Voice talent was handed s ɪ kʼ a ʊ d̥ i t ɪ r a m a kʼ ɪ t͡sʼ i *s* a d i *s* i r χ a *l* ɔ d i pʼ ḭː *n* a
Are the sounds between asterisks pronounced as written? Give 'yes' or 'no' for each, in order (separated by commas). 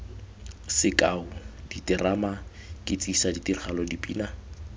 yes, no, yes, yes